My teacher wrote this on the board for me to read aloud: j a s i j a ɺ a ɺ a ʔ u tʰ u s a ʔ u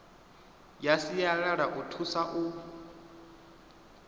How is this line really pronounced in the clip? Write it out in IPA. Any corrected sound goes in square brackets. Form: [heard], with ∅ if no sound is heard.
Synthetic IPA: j a s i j a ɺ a ɺ a ʔ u tʰ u s a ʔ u